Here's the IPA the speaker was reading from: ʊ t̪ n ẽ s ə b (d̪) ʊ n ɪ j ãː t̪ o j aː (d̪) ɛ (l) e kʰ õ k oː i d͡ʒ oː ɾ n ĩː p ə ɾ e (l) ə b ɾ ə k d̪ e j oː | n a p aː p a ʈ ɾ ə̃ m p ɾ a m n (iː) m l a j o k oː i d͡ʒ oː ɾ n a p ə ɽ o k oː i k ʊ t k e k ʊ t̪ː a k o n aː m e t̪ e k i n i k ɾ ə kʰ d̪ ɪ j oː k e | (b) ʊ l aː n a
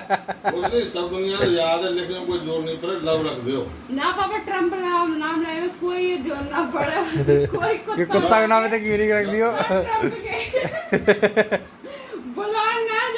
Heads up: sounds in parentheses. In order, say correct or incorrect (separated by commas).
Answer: correct, correct, correct, correct, incorrect, correct